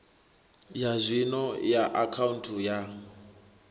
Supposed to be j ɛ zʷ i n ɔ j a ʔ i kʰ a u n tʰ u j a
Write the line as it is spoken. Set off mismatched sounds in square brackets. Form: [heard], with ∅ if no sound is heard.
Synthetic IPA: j [a] zʷ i n ɔ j a ʔ [a] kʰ a u n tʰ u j a